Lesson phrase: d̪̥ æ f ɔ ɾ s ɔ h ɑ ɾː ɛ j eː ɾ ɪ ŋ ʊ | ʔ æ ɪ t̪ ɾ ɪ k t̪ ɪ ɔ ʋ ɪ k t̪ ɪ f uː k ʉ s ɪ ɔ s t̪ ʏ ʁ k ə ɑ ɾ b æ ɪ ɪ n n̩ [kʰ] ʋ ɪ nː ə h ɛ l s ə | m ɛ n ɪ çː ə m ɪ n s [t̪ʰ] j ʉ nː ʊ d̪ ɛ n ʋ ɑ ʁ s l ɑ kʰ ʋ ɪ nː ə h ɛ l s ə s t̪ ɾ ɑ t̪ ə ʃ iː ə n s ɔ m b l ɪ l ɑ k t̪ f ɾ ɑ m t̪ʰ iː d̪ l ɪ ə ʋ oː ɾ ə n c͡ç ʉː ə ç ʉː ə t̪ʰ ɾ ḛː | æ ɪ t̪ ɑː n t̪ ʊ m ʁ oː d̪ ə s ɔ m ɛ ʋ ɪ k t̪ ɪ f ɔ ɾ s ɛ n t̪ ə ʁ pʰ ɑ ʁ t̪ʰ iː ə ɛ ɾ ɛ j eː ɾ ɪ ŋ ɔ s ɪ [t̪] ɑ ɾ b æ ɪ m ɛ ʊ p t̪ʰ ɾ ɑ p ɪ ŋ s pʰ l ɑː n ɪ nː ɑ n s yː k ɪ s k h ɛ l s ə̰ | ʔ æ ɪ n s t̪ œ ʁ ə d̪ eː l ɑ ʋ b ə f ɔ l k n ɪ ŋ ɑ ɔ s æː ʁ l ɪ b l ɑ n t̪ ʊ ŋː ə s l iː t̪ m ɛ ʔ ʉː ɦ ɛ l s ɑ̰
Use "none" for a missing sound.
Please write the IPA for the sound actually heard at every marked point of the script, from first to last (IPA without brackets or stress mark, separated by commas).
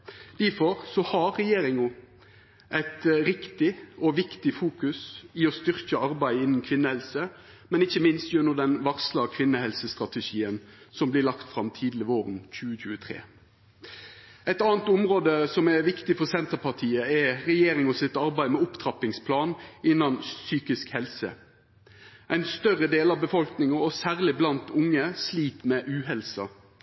kʰ, t̪, t̪